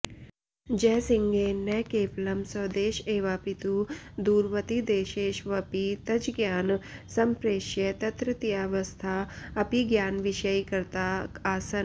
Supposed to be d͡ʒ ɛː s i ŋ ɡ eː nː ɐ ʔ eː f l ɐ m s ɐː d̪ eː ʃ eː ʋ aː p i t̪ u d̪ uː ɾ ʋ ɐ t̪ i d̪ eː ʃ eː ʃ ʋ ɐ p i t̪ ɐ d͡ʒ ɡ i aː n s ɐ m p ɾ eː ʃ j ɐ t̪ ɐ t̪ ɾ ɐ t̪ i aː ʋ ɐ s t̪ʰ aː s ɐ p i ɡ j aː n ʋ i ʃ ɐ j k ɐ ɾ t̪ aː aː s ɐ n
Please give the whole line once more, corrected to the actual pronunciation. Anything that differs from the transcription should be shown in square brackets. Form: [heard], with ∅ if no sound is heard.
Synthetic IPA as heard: d͡ʒ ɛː s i ŋ ɡ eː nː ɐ [k] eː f l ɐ m s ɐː d̪ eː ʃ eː ʋ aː p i t̪ u d̪ uː ɾ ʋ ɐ t̪ i d̪ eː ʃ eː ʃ ʋ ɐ p i t̪ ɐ d͡ʒ ɡ [j] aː n s ɐ m p ɾ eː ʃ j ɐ t̪ ɐ t̪ ɾ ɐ t̪ i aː ʋ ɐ s t̪ʰ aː [∅] ɐ p i ɡ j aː n ʋ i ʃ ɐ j k ɐ ɾ t̪ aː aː s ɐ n